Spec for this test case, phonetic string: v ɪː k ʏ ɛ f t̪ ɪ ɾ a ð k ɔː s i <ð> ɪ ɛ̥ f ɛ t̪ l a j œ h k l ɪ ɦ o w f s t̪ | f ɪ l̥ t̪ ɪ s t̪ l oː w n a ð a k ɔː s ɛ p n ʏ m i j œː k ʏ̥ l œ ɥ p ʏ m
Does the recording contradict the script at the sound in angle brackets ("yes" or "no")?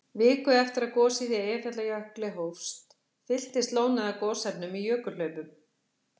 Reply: no